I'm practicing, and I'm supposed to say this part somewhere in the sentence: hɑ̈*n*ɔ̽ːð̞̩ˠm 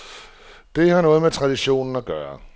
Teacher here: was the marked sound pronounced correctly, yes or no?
yes